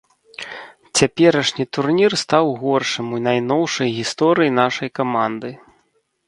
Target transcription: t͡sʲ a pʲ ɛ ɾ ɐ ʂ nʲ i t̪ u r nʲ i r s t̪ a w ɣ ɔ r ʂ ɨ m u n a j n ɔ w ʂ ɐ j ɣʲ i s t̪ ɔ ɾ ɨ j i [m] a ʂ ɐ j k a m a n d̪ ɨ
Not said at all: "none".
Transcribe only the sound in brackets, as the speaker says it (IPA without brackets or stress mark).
n